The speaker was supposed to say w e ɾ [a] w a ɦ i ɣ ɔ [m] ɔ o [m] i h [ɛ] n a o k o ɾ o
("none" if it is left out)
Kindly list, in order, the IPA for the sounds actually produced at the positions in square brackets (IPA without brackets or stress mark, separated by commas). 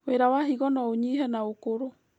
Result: a, n, ɲ, ɛ